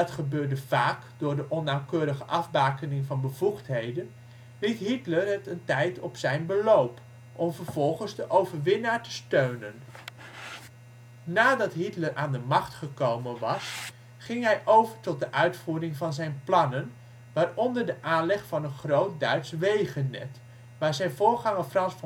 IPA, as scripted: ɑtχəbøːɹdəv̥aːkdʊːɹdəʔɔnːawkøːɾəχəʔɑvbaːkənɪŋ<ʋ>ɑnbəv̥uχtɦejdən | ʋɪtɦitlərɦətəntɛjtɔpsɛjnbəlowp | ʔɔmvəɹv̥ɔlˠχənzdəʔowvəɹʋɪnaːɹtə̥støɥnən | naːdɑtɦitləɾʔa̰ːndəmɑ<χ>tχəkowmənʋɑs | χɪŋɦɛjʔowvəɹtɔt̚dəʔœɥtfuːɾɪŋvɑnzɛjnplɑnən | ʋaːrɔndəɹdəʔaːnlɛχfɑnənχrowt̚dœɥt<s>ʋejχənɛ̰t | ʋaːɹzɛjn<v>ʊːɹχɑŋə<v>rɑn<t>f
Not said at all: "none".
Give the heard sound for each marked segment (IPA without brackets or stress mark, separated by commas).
v, χ, s, v, f, s